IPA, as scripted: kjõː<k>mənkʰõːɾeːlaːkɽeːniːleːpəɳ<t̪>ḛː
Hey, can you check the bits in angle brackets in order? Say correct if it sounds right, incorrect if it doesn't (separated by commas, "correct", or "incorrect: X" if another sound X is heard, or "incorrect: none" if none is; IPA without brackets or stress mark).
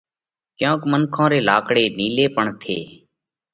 correct, incorrect: t̪ʰ